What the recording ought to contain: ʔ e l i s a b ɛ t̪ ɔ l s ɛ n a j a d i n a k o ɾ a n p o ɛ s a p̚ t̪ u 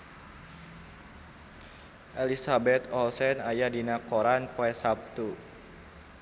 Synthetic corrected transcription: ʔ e l i s a b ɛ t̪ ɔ l s ɛ n a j a d i n a k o ɾ a n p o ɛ s a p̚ t̪ u